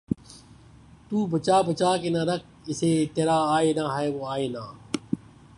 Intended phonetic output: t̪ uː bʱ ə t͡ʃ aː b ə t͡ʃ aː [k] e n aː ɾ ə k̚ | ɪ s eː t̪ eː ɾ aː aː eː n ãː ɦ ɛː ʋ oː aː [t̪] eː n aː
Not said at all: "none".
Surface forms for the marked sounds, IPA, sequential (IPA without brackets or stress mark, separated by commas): k, none